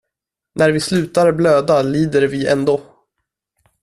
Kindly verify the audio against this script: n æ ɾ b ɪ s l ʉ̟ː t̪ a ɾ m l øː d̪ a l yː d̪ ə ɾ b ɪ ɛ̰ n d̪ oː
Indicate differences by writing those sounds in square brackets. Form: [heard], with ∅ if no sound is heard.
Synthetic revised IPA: n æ ɾ [v] ɪ s l ʉ̟ː t̪ a ɾ [b] l øː d̪ a l [iː] d̪ ə ɾ [v] ɪ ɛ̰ n d̪ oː